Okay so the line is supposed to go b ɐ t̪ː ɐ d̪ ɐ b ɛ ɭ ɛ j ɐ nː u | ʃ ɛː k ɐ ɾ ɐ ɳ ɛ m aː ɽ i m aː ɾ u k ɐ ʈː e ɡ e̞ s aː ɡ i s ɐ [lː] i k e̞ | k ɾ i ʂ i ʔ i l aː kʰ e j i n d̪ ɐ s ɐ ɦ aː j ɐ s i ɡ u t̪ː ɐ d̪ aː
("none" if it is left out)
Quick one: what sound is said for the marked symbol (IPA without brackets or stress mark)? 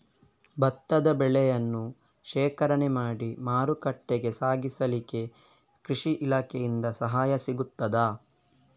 l